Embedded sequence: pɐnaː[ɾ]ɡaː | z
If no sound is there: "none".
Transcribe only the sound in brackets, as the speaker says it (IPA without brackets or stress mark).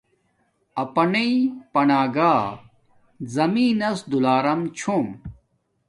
none